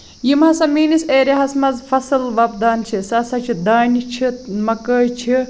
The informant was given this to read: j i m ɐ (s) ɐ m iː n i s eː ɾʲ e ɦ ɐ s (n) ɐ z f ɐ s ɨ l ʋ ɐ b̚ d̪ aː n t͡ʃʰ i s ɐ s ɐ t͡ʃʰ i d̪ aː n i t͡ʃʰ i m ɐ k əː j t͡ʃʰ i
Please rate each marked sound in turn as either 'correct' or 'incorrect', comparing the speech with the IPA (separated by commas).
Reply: correct, incorrect